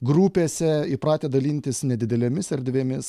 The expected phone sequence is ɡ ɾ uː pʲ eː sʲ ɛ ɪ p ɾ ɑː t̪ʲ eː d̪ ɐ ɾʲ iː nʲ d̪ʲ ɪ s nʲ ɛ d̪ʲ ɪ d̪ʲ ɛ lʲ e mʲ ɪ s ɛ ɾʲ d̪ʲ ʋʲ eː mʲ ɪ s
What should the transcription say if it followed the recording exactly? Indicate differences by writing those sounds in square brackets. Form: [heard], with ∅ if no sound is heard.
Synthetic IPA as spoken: ɡ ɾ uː pʲ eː sʲ ɛ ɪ p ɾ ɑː t̪ʲ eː d̪ ɐ [lʲ] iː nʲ [t̪ʲ] ɪ s nʲ ɛ d̪ʲ ɪ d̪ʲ ɛ lʲ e mʲ ɪ s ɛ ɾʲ d̪ʲ ʋʲ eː mʲ ɪ s